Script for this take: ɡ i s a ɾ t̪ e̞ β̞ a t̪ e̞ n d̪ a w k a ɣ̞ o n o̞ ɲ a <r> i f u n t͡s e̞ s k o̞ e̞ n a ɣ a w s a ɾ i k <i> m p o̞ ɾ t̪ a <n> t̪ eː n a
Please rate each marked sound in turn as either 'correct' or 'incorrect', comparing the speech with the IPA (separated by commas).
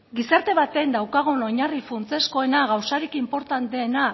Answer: correct, correct, correct